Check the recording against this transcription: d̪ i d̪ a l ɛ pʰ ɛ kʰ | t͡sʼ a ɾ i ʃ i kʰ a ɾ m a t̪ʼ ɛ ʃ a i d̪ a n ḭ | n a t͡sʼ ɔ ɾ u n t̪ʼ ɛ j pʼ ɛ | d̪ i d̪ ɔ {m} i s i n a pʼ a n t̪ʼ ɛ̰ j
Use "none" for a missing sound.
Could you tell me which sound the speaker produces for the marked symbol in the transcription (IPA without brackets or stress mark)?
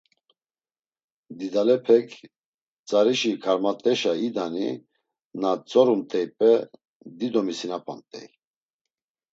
m